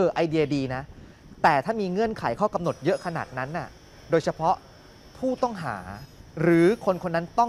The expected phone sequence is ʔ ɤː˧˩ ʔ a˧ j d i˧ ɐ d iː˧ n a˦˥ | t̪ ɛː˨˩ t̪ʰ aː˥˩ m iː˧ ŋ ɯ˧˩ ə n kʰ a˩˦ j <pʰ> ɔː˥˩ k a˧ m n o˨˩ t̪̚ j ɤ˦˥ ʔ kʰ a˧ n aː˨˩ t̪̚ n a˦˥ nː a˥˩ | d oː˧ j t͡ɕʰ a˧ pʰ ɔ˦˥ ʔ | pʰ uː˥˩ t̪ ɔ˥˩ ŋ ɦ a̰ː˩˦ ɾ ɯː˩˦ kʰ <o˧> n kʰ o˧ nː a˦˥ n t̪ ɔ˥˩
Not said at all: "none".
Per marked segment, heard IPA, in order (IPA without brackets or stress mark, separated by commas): kʰ, o˧